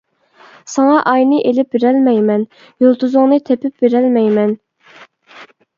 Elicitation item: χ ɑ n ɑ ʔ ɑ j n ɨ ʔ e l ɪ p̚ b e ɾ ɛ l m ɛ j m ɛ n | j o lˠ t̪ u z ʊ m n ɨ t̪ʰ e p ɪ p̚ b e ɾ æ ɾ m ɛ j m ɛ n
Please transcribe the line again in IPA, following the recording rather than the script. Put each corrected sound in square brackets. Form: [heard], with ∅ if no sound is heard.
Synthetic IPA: [s] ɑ [ŋ] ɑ ʔ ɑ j n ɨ ʔ e l ɪ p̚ b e ɾ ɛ l m ɛ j m ɛ n | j o lˠ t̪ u z ʊ [ŋ] n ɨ t̪ʰ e p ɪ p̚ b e ɾ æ [l] m ɛ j m ɛ n